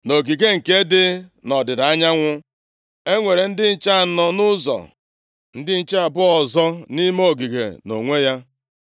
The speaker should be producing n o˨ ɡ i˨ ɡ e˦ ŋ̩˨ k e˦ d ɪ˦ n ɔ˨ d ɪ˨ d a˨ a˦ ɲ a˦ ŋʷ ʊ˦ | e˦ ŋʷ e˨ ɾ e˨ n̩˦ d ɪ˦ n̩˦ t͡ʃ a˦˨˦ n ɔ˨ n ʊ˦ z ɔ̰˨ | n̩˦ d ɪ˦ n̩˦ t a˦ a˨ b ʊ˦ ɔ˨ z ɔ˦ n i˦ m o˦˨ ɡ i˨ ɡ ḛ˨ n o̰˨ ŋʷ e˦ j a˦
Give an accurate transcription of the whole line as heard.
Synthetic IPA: n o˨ ɡ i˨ ɡ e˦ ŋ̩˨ k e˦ d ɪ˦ n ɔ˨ d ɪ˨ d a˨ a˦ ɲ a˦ ŋʷ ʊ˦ | e˦ ŋʷ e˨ ɾ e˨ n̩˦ d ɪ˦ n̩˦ t͡ʃ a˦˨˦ n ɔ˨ n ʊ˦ z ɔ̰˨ | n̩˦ d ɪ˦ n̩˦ t͡ʃ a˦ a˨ b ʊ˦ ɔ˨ z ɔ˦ n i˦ m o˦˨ ɡ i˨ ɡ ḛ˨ n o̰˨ ŋʷ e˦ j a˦